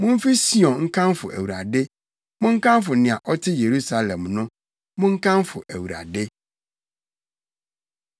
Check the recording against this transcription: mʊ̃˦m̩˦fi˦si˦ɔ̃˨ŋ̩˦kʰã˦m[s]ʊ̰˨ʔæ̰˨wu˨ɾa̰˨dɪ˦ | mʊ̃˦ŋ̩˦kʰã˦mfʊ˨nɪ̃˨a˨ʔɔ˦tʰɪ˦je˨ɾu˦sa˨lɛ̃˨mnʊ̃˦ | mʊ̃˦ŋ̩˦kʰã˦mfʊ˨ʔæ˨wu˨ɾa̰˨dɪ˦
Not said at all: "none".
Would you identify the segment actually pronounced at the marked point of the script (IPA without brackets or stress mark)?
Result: f